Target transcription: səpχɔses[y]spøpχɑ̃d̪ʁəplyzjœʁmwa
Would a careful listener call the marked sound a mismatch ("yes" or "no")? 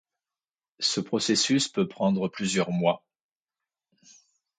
no